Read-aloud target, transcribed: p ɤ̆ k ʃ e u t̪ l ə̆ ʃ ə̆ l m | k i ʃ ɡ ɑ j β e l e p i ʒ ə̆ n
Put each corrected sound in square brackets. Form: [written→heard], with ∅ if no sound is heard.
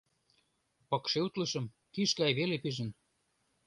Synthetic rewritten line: p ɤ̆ k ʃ e u t̪ l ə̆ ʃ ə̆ [l→∅] m | k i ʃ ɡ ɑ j β e l e p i ʒ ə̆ n